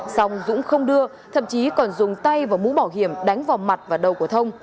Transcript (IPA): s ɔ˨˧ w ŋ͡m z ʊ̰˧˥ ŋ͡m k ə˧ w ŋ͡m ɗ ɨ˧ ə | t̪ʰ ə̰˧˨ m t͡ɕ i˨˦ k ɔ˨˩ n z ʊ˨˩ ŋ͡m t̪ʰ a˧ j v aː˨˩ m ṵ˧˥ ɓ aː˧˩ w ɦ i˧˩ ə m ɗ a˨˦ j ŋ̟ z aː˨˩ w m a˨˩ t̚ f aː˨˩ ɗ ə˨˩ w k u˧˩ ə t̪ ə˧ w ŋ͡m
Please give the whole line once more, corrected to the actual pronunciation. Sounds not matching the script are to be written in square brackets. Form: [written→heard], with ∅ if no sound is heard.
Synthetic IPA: s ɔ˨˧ w ŋ͡m z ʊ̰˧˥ ŋ͡m [k→x] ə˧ w ŋ͡m ɗ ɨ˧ ə | t̪ʰ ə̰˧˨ m t͡ɕ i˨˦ k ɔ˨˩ n z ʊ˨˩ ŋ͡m [t̪ʰ→t̪] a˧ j v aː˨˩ m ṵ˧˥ ɓ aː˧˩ w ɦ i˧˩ ə m ɗ a˨˦ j ŋ̟ [z→v] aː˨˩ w m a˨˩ t̚ [f→v] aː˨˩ ɗ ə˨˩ w k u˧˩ ə [t̪→t̪ʰ] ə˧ w ŋ͡m